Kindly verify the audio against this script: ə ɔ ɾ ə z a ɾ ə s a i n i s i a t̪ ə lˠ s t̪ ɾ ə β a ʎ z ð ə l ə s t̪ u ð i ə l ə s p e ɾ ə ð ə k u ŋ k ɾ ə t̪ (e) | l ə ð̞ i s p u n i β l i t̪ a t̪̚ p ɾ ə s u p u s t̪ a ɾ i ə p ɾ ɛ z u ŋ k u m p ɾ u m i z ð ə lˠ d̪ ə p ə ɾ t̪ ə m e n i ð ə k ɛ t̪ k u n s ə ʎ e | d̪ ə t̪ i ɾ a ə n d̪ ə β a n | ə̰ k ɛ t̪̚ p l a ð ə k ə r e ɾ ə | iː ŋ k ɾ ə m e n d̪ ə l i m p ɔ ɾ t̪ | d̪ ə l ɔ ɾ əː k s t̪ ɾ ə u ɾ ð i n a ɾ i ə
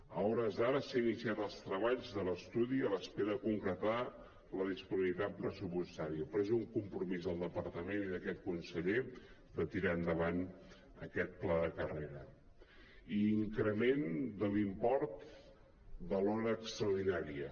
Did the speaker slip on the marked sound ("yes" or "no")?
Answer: yes